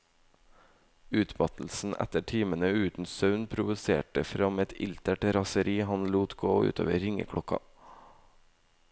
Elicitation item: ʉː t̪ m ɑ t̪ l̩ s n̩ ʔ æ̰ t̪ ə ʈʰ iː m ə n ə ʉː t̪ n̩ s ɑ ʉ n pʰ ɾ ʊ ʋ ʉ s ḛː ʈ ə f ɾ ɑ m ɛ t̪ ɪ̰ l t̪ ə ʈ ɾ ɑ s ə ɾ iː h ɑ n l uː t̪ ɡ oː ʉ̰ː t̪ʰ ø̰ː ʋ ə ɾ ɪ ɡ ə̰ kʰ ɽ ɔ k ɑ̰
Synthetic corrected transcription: ʉː t̪ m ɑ t̪ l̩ s n̩ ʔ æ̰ t̪ ə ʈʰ iː m ə n ə ʉː t̪ n̩ s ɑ ʉ n pʰ ɾ ʊ ʋ ʉ s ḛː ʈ ə f ɾ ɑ m ɛ t̪ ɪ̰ l t̪ ə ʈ ɾ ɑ s ə ɾ iː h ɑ n l uː t̪ ɡ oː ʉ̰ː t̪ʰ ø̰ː ʋ ə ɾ ɪ ŋ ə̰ kʰ ɽ ɔ k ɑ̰